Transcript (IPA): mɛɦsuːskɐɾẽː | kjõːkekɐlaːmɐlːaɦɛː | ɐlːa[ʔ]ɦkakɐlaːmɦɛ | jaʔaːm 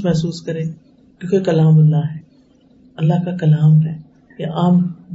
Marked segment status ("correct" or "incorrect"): incorrect